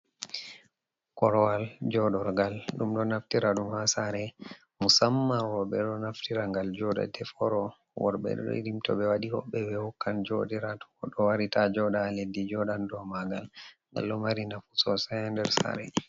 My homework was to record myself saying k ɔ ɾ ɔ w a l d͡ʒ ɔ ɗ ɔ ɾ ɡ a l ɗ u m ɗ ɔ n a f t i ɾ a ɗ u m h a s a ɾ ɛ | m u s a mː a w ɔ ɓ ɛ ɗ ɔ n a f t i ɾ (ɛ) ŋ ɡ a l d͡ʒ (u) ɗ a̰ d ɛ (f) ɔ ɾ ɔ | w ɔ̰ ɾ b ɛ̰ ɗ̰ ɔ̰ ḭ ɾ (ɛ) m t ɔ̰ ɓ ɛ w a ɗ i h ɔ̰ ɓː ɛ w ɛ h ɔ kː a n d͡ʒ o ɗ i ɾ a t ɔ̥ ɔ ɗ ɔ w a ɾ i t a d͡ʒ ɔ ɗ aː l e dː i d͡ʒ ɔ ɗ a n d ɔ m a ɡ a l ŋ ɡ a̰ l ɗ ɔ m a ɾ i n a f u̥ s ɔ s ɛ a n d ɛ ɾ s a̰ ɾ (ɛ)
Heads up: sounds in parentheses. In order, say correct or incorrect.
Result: incorrect: a, incorrect: ɔ, correct, incorrect: i, correct

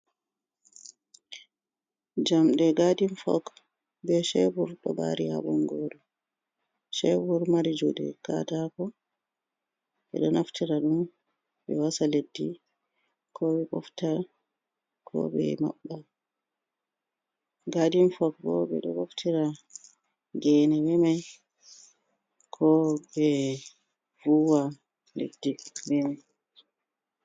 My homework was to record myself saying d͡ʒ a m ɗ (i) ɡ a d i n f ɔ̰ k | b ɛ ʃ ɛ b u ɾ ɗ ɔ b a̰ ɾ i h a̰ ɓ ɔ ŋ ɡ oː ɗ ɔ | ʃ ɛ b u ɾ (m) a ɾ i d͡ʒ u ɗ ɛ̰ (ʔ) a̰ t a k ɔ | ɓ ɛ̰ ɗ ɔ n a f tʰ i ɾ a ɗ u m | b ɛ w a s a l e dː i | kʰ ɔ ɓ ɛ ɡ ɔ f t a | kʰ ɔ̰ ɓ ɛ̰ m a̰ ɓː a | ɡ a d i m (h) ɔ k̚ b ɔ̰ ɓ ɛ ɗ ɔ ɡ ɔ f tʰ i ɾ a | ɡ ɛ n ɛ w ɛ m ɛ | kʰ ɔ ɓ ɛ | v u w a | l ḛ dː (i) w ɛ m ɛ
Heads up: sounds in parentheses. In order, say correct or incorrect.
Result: incorrect: ɛ, correct, incorrect: k, incorrect: f, correct

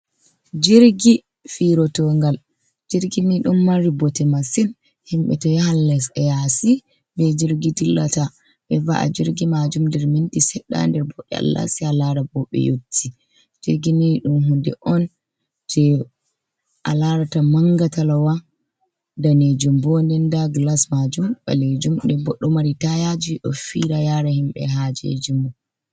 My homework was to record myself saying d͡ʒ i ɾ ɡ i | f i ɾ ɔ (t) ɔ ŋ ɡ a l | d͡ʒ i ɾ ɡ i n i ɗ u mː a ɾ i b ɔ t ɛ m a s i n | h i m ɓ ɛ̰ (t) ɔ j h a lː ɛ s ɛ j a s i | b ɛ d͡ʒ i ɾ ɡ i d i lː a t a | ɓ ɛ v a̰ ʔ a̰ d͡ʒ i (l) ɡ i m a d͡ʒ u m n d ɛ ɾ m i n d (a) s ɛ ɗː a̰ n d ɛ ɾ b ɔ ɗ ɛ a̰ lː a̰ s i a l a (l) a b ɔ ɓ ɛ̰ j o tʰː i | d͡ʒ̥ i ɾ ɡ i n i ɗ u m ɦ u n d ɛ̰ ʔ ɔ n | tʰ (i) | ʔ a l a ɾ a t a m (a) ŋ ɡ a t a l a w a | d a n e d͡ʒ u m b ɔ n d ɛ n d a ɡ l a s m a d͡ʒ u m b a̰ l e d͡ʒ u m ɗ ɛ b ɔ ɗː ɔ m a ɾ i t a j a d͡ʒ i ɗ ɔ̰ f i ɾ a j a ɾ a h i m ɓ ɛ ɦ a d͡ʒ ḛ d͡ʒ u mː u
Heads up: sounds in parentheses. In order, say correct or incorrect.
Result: correct, correct, incorrect: ɾ, incorrect: i, incorrect: ɾ, incorrect: ɛ, correct

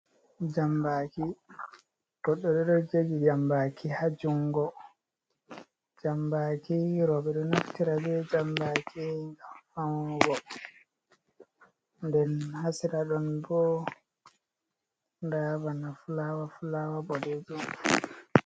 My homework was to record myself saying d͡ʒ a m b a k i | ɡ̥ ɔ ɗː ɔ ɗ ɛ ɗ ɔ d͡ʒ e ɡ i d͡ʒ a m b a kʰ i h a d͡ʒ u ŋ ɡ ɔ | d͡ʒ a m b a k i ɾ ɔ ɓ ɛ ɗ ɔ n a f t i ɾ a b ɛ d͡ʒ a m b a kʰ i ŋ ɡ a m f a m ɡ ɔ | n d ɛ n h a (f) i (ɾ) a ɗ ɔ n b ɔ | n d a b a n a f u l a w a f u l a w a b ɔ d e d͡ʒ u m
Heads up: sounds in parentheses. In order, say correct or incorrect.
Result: incorrect: s, correct

